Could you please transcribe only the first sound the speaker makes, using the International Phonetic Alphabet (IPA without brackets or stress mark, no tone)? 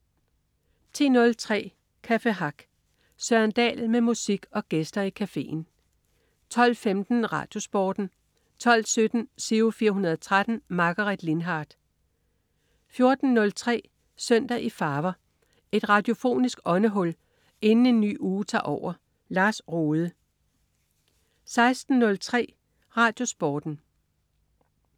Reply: t͡sʰ